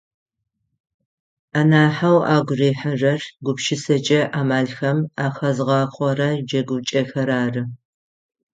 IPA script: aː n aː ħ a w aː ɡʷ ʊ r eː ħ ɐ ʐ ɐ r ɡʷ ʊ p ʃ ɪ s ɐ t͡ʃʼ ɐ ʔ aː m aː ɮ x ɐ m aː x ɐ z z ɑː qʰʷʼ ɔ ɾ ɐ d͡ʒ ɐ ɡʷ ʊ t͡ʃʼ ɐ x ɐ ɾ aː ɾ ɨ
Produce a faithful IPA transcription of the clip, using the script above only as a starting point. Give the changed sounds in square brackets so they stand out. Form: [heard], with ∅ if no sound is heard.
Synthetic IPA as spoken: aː n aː ħ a w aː ɡʷ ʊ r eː ħ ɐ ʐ ɐ r ɡʷ ʊ p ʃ ɪ s ɐ t͡ʃʼ ɐ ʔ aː m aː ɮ x ɐ m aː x ɐ z [ʁ] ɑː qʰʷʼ ɔ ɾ ɐ d͡ʒ ɐ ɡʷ ʊ t͡ʃʼ ɐ x ɐ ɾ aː [r] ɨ